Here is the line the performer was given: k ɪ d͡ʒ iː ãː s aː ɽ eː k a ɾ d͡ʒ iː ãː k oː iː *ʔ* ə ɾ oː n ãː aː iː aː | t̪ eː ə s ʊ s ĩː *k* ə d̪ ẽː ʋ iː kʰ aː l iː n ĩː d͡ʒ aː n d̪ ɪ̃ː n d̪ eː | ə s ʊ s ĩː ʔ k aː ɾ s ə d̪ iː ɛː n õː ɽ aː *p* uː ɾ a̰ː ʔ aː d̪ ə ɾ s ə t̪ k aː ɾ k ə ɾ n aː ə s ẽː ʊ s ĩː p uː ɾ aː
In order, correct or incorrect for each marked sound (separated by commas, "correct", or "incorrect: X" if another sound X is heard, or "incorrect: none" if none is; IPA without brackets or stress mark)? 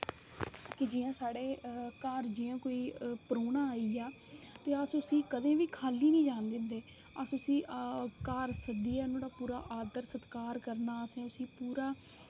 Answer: incorrect: p, correct, correct